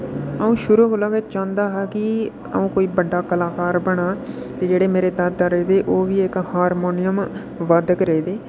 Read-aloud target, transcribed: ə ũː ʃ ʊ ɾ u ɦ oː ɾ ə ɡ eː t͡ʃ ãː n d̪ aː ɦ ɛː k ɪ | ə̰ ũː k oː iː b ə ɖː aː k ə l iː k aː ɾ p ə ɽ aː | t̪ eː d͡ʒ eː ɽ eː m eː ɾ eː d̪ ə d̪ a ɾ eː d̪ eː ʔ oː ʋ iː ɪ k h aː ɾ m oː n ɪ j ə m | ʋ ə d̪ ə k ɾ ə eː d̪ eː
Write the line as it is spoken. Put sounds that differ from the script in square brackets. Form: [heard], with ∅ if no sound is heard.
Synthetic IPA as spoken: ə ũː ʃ ʊ ɾ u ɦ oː [l] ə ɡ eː t͡ʃ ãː n d̪ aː ɦ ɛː k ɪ | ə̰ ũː k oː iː b ə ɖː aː k ə l [aː] k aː ɾ [b] ə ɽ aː | t̪ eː d͡ʒ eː ɽ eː m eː ɾ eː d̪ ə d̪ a ɾ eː d̪ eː ʔ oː ʋ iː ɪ k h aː ɾ m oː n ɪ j ə m | ʋ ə d̪ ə k ɾ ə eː d̪ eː